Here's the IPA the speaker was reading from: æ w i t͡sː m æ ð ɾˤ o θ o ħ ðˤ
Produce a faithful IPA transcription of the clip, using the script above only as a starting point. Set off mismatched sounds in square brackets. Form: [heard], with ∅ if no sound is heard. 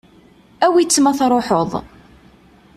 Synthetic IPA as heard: æ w i t͡sː m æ [θ] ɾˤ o [ħ] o [∅] ðˤ